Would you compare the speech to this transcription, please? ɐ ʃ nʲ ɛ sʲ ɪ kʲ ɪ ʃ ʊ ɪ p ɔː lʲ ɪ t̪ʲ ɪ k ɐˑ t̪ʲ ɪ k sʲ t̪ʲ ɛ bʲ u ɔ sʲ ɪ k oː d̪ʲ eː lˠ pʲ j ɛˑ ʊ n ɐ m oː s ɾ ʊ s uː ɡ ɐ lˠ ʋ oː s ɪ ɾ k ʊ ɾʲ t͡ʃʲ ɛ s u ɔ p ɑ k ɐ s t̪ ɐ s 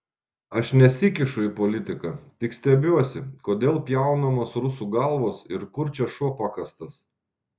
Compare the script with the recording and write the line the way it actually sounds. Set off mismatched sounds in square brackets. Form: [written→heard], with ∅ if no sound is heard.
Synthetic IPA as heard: ɐ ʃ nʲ ɛ sʲ ɪ kʲ ɪ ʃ ʊ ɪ p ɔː lʲ ɪ t̪ʲ ɪ k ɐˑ t̪ʲ ɪ k sʲ t̪ʲ ɛ bʲ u ɔ sʲ ɪ k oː d̪ʲ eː lˠ pʲ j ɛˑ ʊ n ɐ m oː s ɾ ʊ s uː ɡ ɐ lˠ ʋ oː s ɪ ɾ k ʊ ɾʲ t͡ʃʲ ɛ [s→ʃ] u ɔ p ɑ k ɐ s t̪ ɐ s